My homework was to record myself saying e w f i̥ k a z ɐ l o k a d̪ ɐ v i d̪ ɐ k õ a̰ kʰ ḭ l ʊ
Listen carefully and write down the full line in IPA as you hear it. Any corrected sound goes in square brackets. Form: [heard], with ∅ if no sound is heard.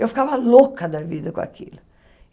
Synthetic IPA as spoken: e w f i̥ k a [v] ɐ l o k [ɐ] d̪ ɐ v i d̪ ɐ k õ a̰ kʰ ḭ l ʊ